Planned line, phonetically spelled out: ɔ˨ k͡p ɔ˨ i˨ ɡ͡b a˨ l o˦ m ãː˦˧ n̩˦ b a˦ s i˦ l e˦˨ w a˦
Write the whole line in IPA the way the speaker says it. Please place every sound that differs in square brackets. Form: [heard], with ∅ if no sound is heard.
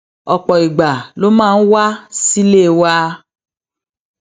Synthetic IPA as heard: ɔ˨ k͡p ɔ˨ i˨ ɡ͡b a˨ l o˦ m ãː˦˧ n̩˦ [w] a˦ s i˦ l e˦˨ w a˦